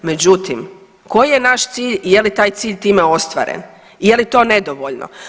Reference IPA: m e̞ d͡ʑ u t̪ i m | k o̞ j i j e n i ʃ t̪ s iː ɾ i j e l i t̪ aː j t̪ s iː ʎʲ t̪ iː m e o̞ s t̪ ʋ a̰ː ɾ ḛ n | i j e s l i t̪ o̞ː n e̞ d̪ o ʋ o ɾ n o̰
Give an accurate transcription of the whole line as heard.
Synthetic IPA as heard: m e̞ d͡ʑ u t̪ i m | k o̞ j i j e n a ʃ t̪ s iː ʎ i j e l i t̪ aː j t̪ s iː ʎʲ t̪ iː m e o̞ s t̪ ʋ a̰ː ɾ ḛ n | i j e l i t̪ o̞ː n e̞ d̪ o ʋ o ʎ n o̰